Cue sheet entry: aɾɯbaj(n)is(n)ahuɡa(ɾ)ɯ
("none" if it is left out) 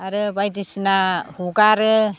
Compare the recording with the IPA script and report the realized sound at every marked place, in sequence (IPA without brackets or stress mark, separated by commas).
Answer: d, n, ɾ